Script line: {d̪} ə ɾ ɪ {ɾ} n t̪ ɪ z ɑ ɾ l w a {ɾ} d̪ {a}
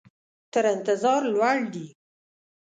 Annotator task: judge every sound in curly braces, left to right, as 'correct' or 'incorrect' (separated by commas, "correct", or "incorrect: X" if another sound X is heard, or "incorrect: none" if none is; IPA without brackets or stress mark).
incorrect: t̪, incorrect: none, incorrect: ɽ, incorrect: i